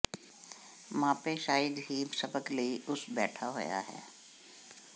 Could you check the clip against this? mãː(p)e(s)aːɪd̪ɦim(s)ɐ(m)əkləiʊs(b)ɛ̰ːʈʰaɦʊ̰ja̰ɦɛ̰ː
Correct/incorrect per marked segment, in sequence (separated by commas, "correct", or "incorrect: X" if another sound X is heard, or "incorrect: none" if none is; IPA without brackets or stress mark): correct, incorrect: ʃ, correct, incorrect: b, correct